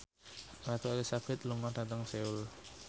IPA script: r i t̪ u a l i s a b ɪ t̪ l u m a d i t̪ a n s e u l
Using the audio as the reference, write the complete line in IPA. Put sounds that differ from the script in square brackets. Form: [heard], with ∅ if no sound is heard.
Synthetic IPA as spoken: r [a] t̪ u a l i s a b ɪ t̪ l u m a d [a] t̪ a [ŋ] s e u l